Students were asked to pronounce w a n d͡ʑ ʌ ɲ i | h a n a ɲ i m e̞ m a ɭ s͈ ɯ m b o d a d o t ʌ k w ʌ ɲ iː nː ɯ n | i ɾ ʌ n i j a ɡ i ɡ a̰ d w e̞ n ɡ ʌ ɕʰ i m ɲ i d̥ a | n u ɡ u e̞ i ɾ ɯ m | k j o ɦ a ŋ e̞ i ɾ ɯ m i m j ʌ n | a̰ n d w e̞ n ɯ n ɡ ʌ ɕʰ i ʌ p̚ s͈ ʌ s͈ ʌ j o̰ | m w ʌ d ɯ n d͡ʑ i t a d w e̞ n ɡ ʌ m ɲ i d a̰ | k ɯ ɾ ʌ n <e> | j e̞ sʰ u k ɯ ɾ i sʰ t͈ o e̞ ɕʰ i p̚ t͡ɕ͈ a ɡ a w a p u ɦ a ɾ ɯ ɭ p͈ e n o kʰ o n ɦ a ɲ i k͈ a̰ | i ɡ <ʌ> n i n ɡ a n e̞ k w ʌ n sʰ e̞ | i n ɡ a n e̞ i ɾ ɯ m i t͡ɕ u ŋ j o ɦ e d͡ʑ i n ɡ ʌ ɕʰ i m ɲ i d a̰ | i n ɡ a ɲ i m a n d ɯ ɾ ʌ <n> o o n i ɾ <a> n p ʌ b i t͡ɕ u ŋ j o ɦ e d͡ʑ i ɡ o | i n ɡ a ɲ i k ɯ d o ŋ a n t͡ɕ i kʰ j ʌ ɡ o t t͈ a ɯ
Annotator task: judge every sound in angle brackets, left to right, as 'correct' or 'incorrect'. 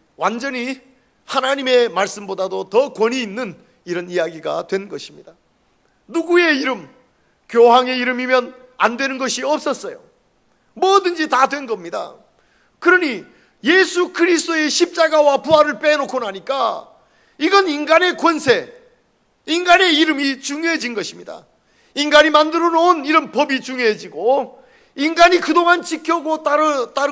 incorrect: i, correct, correct, incorrect: ʌ

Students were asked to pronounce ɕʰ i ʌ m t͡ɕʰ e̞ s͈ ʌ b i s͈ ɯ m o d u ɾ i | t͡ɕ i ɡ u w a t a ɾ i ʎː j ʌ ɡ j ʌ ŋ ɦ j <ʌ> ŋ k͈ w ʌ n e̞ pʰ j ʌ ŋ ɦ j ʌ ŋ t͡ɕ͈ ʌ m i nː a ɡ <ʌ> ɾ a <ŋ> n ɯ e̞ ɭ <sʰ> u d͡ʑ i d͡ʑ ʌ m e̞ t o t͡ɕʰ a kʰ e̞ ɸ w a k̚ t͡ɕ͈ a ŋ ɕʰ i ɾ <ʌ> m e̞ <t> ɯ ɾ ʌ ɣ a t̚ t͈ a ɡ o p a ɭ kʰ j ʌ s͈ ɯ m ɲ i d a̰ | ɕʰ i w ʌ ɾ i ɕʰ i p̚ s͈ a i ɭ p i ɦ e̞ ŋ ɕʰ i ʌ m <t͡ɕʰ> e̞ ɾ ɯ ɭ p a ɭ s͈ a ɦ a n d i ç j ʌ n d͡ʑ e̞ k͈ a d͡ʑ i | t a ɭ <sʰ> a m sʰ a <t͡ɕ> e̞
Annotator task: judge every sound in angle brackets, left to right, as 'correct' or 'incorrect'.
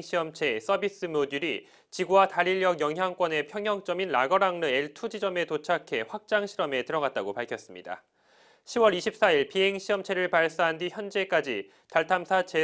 incorrect: a, correct, correct, incorrect: tʰ, correct, correct, correct, incorrect: tʰ, correct

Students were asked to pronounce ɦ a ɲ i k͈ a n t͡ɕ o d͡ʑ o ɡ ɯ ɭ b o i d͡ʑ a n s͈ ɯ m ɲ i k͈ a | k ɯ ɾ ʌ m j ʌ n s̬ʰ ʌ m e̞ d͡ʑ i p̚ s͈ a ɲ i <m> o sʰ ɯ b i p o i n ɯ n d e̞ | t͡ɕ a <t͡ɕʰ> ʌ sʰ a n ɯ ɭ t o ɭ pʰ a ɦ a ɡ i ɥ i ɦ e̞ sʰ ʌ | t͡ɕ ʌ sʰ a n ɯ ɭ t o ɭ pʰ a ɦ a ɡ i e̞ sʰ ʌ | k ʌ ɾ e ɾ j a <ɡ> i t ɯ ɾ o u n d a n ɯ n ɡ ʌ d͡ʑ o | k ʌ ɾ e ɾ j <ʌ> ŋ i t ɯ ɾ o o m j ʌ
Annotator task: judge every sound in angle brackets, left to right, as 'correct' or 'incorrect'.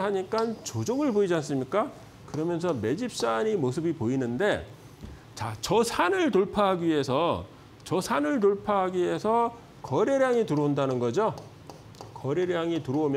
correct, incorrect: t͡ɕ, incorrect: ŋ, incorrect: a

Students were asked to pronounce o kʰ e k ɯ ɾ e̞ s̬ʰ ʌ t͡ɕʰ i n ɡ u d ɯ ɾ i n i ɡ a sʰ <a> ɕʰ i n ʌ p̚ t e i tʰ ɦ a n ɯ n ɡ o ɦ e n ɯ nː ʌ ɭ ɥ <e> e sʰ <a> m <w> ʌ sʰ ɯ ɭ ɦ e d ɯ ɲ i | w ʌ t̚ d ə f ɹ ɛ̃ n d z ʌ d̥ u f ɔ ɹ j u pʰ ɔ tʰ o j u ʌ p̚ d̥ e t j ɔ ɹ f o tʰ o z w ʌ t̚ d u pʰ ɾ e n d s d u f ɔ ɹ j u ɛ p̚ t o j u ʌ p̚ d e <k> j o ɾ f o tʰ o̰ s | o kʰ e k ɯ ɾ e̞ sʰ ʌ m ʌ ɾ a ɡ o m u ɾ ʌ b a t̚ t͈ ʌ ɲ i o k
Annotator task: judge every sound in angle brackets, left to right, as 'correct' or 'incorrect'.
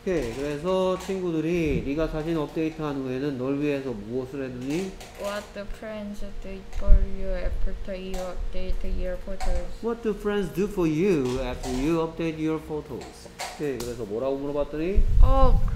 correct, incorrect: i, incorrect: ʌ, incorrect: u, incorrect: t

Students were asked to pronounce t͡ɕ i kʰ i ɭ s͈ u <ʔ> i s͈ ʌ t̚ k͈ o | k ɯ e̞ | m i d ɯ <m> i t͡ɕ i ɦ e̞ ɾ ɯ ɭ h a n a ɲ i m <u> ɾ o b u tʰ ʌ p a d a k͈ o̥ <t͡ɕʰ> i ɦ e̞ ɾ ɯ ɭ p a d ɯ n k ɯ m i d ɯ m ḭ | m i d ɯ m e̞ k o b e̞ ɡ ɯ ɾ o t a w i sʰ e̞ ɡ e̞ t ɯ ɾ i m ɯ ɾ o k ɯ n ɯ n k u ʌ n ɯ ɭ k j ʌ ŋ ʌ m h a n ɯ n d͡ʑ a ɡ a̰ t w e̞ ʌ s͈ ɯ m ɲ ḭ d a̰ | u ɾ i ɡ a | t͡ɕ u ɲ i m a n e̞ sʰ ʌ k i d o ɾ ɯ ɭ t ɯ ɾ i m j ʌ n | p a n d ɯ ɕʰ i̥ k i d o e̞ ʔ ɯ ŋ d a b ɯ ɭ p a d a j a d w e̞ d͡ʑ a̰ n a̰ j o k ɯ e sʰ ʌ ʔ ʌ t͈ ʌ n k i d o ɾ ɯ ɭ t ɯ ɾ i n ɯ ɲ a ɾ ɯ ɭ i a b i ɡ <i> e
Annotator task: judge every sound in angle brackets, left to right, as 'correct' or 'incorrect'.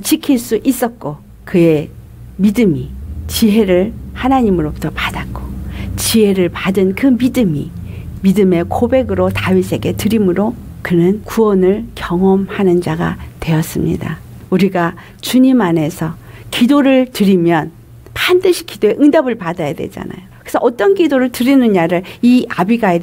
correct, correct, incorrect: ɯ, incorrect: t͡ɕ, incorrect: a

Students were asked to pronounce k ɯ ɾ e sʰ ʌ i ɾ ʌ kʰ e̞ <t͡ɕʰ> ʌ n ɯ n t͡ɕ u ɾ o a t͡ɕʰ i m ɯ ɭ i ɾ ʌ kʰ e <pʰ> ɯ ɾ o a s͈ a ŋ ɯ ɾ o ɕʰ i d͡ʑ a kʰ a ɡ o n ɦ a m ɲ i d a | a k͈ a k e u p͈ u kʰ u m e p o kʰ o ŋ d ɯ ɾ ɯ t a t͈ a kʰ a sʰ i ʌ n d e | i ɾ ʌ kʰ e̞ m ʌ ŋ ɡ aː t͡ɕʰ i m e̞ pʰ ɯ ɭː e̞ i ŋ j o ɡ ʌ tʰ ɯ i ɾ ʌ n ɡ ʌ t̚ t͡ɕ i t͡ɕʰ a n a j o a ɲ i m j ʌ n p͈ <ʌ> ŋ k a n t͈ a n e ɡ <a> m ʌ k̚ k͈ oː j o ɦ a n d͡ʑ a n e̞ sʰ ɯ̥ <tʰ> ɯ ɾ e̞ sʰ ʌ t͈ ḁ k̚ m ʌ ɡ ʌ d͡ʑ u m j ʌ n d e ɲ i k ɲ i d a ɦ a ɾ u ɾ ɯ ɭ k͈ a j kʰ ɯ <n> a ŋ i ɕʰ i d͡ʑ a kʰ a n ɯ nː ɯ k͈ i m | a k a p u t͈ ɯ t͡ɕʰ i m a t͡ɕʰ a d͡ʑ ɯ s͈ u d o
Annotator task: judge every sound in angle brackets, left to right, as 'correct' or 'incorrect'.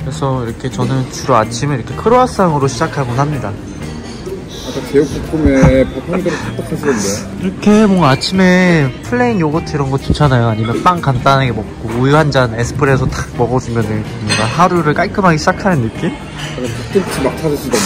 incorrect: t͡ɕ, incorrect: kʰ, incorrect: a, incorrect: e, incorrect: pʰ, incorrect: m

